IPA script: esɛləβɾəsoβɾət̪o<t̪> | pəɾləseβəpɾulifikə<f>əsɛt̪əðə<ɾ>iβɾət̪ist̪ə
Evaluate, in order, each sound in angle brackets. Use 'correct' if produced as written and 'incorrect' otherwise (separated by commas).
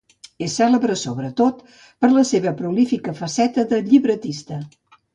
correct, correct, incorrect